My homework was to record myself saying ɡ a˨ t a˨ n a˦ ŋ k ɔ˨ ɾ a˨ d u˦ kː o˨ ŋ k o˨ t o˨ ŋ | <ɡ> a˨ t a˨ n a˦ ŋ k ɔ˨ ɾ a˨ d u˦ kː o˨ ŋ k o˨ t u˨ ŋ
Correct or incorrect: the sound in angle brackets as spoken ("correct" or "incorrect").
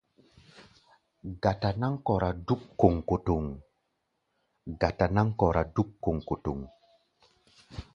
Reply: correct